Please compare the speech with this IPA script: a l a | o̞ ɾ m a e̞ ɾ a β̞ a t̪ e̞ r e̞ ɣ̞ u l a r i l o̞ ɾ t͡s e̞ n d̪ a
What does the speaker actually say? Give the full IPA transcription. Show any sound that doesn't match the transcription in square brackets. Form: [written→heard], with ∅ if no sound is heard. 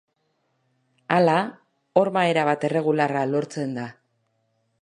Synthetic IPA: a l a | o̞ ɾ m a e̞ ɾ a β̞ a t̪ e̞ r e̞ ɣ̞ u l a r [i→a] l o̞ ɾ t͡s e̞ n d̪ a

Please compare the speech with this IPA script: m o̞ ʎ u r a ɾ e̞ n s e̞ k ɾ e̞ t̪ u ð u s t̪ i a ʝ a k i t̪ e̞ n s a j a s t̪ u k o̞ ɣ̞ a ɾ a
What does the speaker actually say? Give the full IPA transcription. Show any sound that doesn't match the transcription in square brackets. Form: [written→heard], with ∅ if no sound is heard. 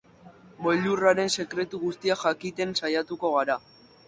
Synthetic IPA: m o̞ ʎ u r a ɾ e̞ n s e̞ k ɾ e̞ t̪ u [ð→ɣ] u s t̪ i a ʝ a k i t̪ e̞ n s a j a [s→∅] t̪ u k o̞ ɣ̞ a ɾ a

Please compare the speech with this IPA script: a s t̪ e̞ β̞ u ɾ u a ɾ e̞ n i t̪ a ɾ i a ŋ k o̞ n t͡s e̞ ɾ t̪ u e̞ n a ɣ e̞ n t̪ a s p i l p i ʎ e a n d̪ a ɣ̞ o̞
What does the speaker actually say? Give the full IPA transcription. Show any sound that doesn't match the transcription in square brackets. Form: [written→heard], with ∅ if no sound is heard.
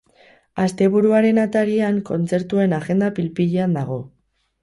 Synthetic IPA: a s t̪ e̞ β̞ u ɾ u a ɾ e̞ n [i→a] t̪ a ɾ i a ŋ k o̞ n t͡s e̞ ɾ t̪ u e̞ n a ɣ e̞ n [t̪→d̪] a [s→∅] p i l p i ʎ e a n d̪ a ɣ̞ o̞

